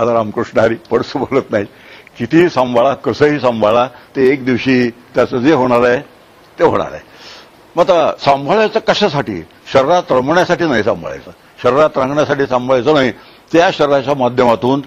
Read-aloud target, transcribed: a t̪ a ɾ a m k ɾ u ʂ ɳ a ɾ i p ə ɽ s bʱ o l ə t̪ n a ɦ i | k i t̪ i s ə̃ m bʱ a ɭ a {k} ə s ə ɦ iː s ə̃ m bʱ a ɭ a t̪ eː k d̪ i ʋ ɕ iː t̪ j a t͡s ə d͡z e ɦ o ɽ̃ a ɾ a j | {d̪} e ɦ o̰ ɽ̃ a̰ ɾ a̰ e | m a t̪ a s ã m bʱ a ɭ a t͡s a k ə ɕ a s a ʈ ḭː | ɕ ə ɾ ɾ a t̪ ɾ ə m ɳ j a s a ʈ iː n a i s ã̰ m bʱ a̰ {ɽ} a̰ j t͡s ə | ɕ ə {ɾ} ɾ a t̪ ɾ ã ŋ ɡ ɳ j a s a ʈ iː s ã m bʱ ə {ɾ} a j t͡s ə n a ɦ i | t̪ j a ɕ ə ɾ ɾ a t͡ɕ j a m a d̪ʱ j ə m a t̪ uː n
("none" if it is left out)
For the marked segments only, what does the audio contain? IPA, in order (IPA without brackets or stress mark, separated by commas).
k, t̪, ɭ, ɾ, ɭ